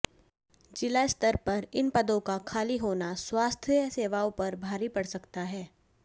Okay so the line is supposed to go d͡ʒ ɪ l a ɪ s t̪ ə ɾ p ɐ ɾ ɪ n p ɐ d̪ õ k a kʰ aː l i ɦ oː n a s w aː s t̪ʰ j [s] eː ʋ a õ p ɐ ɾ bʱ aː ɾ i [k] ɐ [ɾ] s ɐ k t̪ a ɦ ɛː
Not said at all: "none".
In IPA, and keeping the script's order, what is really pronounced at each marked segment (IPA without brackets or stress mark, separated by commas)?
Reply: s, p, ɽ